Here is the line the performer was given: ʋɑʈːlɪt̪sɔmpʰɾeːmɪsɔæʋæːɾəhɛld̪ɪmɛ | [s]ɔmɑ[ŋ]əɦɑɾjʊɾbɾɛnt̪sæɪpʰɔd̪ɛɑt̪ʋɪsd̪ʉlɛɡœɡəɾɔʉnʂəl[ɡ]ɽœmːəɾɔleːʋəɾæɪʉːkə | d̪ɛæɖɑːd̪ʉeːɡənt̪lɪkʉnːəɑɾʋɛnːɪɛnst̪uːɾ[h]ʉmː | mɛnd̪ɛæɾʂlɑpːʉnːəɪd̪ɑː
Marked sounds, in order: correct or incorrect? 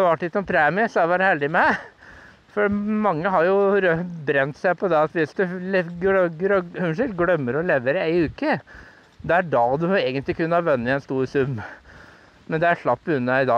incorrect: f, incorrect: ŋː, correct, incorrect: s

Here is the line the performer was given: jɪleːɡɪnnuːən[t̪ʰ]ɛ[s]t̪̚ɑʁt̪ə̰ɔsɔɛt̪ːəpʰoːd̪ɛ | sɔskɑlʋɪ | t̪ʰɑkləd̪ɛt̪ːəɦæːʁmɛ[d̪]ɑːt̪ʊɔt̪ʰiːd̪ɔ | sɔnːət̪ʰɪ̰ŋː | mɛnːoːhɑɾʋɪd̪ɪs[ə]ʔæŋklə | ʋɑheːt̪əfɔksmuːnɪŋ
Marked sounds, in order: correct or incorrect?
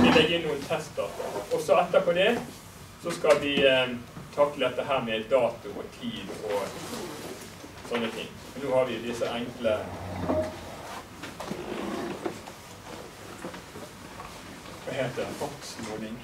correct, correct, correct, correct

